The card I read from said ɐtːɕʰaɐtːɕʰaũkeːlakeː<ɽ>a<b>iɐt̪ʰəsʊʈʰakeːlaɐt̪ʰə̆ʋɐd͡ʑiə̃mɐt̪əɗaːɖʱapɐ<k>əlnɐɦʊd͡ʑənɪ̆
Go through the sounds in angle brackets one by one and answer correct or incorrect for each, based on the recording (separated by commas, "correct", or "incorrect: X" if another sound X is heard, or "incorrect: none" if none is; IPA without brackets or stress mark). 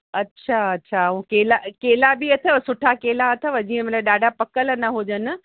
incorrect: l, correct, correct